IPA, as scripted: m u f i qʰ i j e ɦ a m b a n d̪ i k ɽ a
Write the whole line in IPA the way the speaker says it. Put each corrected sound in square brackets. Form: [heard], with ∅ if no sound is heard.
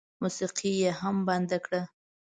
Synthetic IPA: m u [s] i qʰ i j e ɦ a m b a n d̪ [a] k ɽ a

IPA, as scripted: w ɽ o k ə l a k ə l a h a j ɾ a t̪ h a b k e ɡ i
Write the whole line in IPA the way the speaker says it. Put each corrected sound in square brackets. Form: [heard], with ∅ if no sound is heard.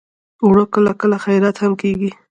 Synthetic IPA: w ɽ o k ə l a k ə l a [x] a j ɾ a t̪ h a [m] k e ɡ i

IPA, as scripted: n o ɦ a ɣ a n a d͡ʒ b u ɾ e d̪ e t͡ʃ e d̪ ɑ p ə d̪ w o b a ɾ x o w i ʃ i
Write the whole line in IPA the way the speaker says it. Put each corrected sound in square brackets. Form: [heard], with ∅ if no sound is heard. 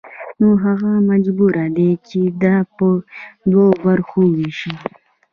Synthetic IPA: n o ɦ a ɣ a [m] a d͡ʒ b u ɾ [a] d̪ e t͡ʃ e d̪ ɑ p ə d̪ w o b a ɾ x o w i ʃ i

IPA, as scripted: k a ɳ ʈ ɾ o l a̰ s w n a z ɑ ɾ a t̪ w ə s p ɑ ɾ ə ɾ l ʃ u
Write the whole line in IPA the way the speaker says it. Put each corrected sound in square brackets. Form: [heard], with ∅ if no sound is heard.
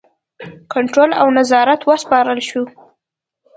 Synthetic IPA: k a ɳ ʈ ɾ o l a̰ [∅] w n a z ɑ ɾ a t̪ w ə s p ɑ ɾ ə [∅] l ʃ u

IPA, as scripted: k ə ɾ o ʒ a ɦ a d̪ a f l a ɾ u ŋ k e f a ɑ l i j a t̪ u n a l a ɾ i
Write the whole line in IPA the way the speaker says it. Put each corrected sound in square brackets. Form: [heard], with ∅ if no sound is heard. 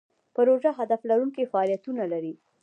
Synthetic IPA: [p] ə ɾ o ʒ a ɦ a d̪ a f l a ɾ u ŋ k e f a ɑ l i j a t̪ u n a l a ɾ i

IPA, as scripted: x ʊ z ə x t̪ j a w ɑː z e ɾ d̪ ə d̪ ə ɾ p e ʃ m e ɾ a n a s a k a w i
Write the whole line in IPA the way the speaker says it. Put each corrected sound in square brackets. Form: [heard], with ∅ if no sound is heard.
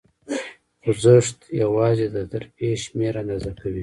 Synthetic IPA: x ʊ z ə [ʂ] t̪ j a w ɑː z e [∅] d̪ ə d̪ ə ɾ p e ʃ m e ɾ a n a [z] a k a w i

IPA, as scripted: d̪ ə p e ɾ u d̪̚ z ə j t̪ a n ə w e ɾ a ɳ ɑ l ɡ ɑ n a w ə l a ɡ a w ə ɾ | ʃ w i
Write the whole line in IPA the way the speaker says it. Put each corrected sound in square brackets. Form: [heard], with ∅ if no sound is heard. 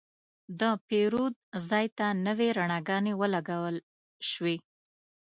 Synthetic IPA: d̪ ə p e ɾ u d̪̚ z [ɑ] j t̪ a n ə w e ɾ a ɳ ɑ [∅] ɡ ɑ n [e] w ə l a ɡ a w ə [l] | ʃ w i

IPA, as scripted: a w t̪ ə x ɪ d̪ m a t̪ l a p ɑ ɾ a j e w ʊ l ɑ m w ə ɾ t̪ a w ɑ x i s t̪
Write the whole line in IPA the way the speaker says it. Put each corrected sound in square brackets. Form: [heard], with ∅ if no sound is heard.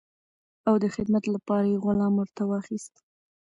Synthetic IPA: a w [d̪] ə x ɪ d̪ m a t̪ l a p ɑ ɾ a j e [ɣ] ʊ l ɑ m w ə ɾ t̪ a w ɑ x i s t̪

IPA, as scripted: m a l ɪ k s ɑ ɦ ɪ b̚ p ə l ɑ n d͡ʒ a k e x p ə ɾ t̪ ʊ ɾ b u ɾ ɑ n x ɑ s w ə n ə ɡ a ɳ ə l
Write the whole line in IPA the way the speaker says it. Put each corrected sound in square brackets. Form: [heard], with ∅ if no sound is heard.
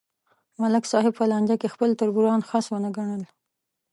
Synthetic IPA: m a l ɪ k s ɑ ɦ ɪ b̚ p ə l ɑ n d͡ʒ a k e x p ə [l] t̪ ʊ ɾ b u ɾ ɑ n x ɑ s w ə n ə ɡ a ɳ ə l

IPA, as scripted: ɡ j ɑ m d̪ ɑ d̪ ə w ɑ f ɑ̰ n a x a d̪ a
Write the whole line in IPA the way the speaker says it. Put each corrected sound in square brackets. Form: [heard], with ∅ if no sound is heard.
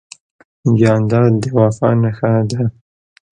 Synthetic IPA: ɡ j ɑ [n] d̪ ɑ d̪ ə w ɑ f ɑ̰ n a x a d̪ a

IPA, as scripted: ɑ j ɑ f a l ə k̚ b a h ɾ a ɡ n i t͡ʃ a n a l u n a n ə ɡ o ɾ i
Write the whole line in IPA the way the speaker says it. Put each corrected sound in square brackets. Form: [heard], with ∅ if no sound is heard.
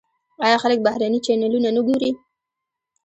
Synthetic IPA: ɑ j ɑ [x] a l ə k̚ b a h ɾ a [∅] n i t͡ʃ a n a l u n a n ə ɡ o ɾ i

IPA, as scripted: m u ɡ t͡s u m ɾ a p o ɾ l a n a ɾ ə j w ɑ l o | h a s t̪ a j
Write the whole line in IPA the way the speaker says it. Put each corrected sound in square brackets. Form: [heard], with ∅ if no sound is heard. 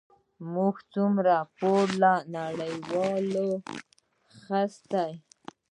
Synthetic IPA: m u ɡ t͡s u m ɾ a p o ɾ l a n a [ɽ] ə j w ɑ l o | [x] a s t̪ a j

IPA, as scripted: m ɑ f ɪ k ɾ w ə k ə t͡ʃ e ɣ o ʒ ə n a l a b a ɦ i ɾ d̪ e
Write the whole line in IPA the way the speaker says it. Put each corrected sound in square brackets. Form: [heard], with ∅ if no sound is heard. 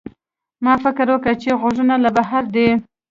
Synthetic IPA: m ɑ f ɪ k ɾ w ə k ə t͡ʃ e ɣ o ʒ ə n a l a b a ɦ [a] ɾ d̪ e

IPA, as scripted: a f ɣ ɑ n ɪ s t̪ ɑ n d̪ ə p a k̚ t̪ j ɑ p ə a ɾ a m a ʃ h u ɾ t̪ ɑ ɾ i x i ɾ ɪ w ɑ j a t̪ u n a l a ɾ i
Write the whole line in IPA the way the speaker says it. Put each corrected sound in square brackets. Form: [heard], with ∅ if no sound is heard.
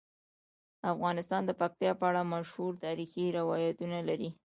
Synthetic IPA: a f ɣ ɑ n ɪ s t̪ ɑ n d̪ ə p a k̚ t̪ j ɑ p ə a [ɽ] a m a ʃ h u ɾ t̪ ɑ ɾ i x i ɾ ɪ w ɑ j a t̪ u n a l a ɾ i

